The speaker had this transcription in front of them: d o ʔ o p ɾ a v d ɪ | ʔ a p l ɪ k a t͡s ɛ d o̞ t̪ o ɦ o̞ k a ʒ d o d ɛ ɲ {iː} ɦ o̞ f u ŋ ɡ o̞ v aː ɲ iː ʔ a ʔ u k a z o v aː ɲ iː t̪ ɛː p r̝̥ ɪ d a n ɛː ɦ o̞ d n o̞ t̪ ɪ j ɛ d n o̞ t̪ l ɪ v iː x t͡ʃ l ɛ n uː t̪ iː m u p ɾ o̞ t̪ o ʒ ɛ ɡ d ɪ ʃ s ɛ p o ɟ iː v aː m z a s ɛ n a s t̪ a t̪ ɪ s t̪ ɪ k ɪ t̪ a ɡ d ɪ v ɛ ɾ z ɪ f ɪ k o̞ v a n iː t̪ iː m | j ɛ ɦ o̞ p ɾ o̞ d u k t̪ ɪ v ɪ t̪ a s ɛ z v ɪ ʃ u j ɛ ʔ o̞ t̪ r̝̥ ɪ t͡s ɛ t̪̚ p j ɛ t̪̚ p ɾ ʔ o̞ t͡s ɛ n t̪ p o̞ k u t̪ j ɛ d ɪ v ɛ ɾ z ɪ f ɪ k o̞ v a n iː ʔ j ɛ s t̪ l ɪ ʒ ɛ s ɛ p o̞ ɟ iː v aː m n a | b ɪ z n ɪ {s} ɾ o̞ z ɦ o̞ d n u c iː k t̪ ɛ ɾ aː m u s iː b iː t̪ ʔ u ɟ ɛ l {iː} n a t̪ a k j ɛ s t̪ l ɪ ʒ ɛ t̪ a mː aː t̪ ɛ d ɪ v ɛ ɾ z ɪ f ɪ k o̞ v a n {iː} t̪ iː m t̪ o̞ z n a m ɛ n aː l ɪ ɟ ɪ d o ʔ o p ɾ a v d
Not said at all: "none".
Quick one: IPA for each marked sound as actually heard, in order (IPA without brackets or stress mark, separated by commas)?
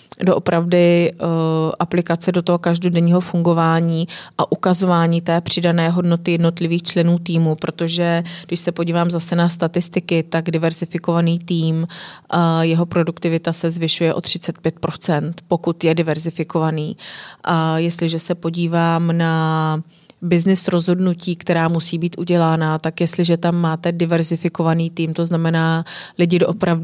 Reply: iː, s, aː, iː